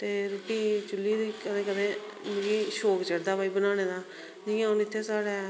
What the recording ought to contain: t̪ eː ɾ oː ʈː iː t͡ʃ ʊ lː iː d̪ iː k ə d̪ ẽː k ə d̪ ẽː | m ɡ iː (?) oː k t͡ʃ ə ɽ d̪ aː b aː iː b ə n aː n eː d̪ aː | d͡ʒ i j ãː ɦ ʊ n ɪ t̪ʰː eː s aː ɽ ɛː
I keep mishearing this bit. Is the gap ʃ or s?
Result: ʃ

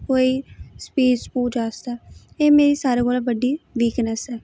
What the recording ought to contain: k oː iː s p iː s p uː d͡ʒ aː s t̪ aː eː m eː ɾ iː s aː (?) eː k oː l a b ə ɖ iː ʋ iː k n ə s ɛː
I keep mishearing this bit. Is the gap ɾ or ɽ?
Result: ɾ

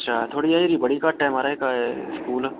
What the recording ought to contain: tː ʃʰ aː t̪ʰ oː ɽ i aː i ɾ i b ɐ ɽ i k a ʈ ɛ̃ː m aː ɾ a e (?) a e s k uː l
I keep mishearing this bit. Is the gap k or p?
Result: k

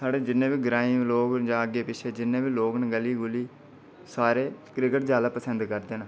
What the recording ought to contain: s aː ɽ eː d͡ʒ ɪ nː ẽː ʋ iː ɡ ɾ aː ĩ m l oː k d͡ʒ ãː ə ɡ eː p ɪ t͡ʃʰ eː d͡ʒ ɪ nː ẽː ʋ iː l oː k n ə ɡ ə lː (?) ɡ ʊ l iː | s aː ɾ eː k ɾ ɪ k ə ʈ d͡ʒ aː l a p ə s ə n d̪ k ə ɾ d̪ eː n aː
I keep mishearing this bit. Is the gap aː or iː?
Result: iː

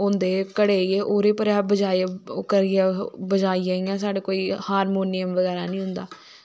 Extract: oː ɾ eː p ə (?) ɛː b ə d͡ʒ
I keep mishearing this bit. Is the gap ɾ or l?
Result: ɾ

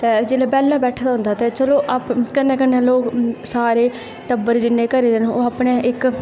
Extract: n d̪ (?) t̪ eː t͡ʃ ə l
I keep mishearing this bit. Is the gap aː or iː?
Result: aː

